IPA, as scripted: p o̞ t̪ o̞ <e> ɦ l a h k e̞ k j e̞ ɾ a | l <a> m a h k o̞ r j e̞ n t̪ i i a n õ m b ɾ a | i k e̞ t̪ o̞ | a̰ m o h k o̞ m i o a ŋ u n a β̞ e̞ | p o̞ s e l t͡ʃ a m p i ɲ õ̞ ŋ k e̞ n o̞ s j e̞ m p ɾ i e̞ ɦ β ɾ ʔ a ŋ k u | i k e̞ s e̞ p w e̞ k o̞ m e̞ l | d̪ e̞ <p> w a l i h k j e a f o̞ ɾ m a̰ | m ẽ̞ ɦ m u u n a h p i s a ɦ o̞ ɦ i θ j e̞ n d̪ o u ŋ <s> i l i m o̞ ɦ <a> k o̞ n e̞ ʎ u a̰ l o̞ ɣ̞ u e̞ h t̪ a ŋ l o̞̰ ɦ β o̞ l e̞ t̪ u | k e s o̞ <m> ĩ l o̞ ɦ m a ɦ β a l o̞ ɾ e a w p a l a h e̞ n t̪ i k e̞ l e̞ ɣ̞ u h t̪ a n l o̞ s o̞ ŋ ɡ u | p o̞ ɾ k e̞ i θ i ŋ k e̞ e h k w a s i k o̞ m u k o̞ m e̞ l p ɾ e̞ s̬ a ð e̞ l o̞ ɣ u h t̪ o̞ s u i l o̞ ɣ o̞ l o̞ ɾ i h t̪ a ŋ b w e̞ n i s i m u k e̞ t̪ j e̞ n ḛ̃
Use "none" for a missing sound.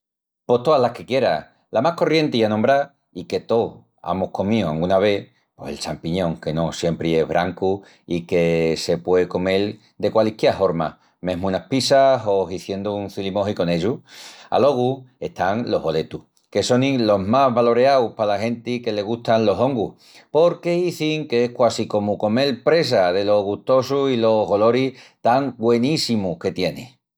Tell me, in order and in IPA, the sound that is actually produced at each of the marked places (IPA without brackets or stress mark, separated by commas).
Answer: a, a, k, θ, i, n